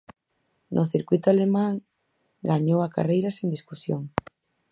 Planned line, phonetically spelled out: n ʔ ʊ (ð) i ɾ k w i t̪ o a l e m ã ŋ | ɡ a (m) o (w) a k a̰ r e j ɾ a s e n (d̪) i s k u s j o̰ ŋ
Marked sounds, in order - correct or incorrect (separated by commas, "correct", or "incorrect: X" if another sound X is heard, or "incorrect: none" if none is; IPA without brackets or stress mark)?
incorrect: θ, incorrect: ɲ, correct, correct